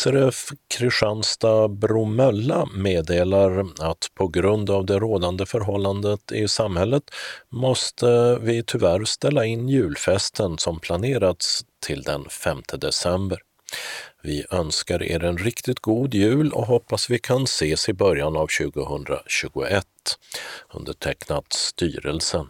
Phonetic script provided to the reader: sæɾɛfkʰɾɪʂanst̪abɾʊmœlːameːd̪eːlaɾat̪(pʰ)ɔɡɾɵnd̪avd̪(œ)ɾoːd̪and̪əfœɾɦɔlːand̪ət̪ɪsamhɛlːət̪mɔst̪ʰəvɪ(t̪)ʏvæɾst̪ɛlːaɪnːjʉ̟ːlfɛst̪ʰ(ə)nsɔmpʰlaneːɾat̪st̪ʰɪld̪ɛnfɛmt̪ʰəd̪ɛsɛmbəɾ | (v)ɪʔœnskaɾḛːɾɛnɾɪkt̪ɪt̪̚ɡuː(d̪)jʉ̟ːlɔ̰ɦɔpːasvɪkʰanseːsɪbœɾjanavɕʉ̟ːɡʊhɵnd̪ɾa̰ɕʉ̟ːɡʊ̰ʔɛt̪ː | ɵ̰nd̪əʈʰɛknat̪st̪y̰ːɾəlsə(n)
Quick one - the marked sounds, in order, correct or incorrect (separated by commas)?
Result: correct, incorrect, incorrect, correct, correct, correct, correct